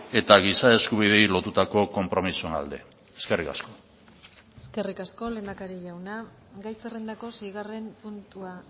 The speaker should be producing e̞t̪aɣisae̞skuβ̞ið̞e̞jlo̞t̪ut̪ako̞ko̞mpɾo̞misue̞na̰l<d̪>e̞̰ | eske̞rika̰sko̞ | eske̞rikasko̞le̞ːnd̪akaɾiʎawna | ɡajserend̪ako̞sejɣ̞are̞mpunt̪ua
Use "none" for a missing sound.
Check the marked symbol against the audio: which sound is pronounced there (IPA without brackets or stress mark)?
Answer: d̪